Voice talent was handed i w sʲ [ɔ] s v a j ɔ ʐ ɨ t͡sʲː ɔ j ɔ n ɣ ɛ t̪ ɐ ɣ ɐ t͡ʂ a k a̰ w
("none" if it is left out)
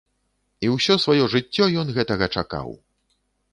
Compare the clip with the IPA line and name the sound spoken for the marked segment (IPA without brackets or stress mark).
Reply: ɔ